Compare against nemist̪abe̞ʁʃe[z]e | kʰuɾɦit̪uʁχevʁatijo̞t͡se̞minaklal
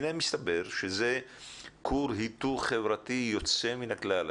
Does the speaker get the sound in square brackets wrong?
no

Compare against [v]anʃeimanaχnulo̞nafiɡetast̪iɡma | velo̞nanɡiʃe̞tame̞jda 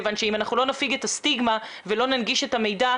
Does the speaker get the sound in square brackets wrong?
no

